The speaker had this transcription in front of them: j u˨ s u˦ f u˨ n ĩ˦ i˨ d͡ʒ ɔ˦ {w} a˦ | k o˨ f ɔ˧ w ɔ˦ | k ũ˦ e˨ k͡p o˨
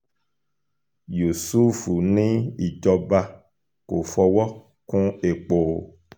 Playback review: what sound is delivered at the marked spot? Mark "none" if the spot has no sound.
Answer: b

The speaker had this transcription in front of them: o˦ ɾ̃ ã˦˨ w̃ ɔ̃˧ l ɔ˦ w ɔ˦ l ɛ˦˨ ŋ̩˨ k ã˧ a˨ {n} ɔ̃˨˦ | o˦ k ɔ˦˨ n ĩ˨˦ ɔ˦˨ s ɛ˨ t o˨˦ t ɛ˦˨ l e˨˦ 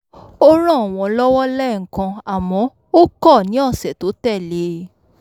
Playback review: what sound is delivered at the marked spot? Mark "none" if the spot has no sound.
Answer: m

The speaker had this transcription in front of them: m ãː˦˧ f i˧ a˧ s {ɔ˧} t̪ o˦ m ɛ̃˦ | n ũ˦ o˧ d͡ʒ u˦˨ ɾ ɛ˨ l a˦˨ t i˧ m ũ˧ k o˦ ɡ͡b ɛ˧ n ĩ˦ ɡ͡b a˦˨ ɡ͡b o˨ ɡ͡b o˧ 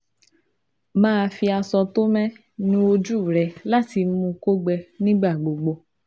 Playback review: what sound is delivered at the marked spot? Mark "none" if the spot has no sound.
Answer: ɔ˧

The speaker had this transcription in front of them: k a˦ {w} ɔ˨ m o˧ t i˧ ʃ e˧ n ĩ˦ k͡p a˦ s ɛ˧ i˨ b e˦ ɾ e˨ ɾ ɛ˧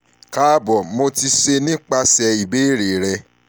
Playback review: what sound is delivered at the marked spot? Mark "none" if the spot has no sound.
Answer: b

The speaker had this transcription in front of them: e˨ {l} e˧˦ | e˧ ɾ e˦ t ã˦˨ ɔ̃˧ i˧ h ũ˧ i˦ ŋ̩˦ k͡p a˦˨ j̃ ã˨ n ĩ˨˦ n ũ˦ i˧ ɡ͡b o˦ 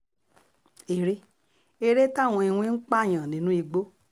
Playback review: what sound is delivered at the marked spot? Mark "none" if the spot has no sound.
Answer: ɾ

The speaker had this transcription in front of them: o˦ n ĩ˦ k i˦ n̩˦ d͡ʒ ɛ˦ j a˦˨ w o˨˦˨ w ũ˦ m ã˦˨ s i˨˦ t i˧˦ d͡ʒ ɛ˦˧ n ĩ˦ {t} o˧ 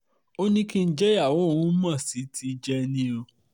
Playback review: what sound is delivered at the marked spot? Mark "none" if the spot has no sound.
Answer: none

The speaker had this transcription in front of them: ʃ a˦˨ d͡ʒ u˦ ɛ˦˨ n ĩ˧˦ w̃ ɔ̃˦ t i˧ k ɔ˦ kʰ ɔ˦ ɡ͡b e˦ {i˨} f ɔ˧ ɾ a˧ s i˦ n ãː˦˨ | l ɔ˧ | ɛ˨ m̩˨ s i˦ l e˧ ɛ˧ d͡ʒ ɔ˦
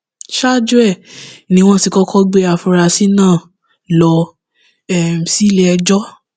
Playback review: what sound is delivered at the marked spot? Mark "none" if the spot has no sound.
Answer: a˨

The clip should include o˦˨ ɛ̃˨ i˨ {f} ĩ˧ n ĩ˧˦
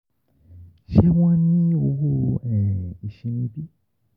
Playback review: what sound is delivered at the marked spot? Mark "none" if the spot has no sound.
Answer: ʃ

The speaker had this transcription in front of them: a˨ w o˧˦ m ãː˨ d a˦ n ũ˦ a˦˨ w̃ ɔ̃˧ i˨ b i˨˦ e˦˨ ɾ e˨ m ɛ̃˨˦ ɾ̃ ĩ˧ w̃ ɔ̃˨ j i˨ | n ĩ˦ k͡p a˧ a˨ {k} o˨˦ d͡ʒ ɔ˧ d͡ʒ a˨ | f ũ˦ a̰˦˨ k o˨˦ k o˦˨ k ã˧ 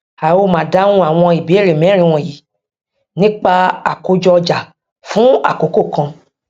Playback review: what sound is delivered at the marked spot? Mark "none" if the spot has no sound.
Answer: k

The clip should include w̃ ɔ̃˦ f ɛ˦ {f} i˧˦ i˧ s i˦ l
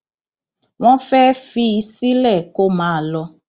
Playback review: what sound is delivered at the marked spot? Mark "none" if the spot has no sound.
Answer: f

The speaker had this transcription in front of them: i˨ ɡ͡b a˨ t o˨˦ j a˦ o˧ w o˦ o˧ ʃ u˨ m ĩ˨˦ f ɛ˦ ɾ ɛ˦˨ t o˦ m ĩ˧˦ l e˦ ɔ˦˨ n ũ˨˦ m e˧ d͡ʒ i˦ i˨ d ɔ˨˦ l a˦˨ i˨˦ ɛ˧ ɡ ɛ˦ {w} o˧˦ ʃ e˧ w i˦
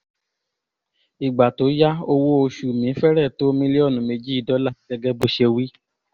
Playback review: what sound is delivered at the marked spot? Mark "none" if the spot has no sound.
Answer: b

